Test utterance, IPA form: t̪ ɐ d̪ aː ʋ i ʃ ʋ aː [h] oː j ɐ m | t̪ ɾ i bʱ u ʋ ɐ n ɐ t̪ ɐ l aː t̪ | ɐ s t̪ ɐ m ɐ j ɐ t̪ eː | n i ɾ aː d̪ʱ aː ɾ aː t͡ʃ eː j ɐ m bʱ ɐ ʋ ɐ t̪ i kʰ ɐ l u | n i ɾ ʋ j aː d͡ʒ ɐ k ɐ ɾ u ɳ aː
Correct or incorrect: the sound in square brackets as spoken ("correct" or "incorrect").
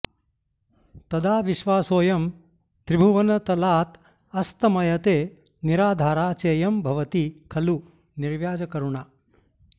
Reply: incorrect